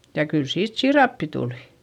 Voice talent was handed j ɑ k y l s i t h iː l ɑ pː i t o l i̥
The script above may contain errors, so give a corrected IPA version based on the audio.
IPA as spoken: j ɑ k y l s iː t s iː r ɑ pː i t u l i̥